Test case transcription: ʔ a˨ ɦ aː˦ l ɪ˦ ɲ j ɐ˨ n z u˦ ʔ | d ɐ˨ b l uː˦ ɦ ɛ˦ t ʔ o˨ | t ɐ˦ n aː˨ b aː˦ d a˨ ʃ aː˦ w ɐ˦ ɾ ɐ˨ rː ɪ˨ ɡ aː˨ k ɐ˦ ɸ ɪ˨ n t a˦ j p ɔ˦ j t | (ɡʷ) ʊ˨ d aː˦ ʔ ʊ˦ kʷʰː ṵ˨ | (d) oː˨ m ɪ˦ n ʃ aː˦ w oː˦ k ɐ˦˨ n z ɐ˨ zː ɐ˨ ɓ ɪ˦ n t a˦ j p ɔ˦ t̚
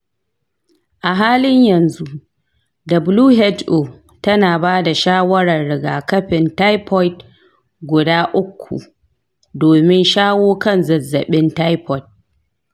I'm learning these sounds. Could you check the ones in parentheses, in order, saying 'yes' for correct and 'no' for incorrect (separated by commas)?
yes, yes